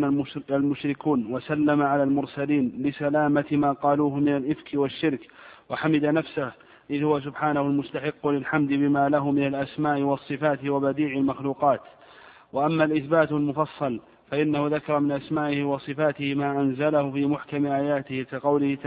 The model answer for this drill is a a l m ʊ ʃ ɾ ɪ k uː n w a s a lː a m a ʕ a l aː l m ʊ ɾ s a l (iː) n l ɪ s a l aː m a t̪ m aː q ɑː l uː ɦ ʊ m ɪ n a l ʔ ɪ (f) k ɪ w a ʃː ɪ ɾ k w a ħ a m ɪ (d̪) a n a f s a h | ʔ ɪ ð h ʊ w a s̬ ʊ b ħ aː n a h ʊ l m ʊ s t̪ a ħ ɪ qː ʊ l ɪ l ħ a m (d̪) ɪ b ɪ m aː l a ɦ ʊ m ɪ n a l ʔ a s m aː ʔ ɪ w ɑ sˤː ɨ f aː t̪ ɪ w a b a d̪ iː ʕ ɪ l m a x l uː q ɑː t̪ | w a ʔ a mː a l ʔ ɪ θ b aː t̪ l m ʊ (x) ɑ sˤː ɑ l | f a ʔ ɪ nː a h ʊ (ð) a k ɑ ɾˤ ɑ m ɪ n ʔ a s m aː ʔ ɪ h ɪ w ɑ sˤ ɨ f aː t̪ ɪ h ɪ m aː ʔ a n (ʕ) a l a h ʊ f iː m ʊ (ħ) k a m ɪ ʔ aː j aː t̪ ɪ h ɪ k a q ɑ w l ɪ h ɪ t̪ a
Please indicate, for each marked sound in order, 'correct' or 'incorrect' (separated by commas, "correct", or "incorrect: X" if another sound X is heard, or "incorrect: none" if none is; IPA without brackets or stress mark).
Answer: correct, correct, correct, correct, incorrect: f, correct, incorrect: z, correct